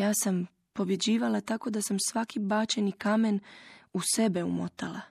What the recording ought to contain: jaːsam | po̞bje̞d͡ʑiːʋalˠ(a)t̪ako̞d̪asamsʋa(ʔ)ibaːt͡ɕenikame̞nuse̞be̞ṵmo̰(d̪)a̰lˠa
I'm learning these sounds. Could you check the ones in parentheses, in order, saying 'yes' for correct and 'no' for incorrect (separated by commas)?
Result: yes, no, no